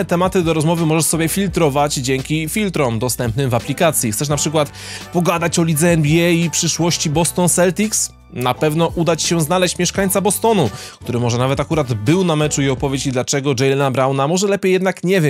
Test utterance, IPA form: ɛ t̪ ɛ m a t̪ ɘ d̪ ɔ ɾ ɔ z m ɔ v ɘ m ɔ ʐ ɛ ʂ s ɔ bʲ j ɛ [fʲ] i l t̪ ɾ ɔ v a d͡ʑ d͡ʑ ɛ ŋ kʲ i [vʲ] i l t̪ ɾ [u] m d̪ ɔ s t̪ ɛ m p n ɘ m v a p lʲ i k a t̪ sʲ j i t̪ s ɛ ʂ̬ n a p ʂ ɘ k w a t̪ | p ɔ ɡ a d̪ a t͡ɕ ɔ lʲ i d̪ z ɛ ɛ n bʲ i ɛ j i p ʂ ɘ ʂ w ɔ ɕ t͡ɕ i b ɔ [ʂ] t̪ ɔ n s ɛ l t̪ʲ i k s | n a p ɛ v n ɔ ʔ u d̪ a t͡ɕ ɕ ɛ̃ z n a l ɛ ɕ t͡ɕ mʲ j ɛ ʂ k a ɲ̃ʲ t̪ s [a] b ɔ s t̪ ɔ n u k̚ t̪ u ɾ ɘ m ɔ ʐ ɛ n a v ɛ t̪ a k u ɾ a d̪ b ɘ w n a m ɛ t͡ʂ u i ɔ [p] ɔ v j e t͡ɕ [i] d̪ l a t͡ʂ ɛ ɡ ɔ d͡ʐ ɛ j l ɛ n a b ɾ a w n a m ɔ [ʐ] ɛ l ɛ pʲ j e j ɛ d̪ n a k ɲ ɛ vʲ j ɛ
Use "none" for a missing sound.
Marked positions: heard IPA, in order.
fʲ, fʲ, ɔ, s, a, p, i, ʐ

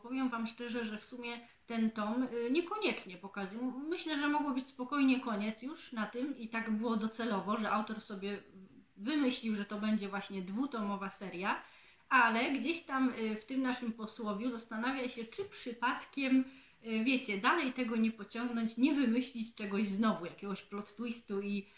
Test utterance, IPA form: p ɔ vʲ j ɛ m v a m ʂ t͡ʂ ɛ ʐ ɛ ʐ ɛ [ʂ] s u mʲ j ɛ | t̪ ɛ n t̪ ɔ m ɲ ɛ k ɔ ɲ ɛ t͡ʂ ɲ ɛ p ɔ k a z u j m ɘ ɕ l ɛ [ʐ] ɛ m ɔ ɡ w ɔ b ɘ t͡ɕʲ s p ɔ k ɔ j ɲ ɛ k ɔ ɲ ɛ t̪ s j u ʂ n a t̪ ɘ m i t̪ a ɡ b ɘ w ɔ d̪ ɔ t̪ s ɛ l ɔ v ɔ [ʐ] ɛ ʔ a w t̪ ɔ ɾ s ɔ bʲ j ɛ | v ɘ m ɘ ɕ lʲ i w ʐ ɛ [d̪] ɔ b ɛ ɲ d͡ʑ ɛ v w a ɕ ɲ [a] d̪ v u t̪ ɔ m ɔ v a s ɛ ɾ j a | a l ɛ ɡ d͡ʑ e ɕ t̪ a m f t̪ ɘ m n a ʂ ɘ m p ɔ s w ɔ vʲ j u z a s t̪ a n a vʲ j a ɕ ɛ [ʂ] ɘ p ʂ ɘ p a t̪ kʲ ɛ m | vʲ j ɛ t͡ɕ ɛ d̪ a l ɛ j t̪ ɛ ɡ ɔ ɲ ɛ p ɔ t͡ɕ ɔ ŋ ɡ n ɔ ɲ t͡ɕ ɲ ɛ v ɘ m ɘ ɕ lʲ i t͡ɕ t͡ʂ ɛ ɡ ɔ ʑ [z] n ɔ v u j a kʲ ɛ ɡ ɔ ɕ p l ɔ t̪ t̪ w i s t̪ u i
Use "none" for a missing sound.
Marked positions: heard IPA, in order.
f, ʐ, ʐ, t̪, ɛ, t͡ʂ, z

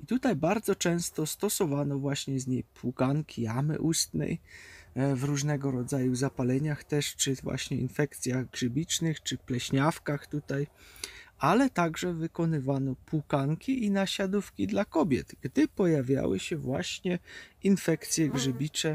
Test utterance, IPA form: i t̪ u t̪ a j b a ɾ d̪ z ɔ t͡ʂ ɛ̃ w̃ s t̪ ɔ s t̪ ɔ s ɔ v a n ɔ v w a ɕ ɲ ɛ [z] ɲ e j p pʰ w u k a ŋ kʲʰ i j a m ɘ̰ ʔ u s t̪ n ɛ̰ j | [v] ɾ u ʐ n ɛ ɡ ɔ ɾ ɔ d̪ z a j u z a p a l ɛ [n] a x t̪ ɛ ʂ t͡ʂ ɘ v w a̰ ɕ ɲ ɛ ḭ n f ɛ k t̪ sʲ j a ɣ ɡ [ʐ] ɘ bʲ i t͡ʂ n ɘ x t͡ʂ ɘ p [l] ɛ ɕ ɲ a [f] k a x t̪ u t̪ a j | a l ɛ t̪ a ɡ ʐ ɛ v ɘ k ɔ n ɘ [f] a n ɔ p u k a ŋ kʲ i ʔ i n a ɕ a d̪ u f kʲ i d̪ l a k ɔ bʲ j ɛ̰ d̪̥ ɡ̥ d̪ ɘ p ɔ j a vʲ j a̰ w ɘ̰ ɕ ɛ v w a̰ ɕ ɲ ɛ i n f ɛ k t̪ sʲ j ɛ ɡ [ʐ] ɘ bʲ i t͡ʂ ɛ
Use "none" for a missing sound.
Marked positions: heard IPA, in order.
z, v, ɲ, ʐ, l, f, v, ʐ

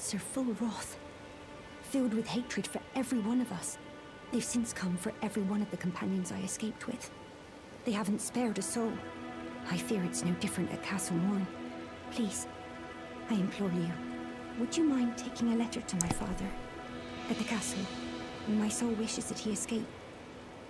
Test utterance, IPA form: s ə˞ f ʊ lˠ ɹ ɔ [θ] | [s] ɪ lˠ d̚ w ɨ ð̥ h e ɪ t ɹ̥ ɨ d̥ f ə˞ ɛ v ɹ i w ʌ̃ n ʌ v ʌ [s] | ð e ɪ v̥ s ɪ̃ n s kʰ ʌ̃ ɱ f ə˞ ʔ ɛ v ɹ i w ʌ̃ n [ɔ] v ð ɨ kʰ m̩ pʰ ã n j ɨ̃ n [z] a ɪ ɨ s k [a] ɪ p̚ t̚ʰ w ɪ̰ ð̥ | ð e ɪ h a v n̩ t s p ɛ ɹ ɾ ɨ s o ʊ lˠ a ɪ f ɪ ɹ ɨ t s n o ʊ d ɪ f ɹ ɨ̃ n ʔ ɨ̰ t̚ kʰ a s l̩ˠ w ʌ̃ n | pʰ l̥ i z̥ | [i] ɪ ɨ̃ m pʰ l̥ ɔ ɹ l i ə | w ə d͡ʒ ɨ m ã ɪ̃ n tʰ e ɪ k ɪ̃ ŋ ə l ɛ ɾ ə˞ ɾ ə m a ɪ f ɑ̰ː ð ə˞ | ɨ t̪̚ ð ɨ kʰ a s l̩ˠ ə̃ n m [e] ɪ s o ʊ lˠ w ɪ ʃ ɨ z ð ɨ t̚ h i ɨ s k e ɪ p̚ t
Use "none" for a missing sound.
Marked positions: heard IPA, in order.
θ, f, s, ʌ, z, e, a, a

